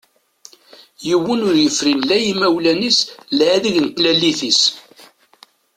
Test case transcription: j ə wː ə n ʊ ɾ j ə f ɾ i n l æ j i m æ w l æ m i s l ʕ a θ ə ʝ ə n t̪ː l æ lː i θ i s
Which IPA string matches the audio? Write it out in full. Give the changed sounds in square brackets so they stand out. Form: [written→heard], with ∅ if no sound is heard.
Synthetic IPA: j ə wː ə n ʊ ɾ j ə f ɾ i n l æ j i m æ w l æ [m→n] i s l ʕ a [θ→ð] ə ʝ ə n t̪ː l æ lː i θ i s